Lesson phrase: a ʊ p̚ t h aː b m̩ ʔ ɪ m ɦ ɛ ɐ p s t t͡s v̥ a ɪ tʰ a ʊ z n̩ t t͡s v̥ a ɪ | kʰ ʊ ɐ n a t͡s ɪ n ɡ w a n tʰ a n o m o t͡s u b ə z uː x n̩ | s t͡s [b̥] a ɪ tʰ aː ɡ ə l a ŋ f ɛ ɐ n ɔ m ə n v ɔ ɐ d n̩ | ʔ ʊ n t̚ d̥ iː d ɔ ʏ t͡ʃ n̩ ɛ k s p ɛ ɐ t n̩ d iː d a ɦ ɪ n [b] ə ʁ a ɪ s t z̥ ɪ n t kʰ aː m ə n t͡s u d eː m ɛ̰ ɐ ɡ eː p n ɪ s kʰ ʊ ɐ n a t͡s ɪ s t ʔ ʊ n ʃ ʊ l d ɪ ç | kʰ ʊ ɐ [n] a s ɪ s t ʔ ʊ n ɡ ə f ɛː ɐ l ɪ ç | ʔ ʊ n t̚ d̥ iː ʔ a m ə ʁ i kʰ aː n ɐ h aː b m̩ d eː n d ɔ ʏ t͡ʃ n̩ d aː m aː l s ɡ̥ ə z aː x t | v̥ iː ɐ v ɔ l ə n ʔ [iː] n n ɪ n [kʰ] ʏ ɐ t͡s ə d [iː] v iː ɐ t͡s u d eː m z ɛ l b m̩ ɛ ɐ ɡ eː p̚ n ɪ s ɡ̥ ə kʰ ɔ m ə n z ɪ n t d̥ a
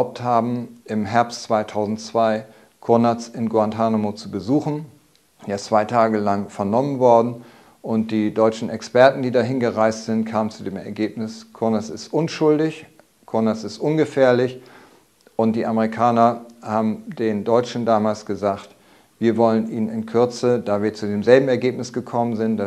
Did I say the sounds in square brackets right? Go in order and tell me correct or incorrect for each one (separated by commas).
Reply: incorrect, incorrect, correct, correct, correct, incorrect